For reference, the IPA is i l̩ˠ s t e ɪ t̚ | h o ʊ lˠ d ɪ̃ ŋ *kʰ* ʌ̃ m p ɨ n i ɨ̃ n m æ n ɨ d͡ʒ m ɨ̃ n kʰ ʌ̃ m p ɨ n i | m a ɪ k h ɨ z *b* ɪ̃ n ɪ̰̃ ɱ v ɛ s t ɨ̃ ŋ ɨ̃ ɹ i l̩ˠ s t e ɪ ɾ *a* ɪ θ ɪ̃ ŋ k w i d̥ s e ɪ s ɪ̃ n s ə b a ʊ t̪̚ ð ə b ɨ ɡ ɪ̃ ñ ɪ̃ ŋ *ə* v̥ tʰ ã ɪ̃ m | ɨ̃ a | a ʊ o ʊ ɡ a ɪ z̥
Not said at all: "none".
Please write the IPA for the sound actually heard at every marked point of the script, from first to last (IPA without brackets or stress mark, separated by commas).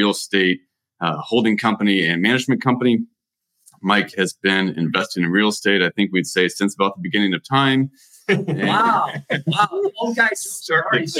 kʰ, b, a, ʌ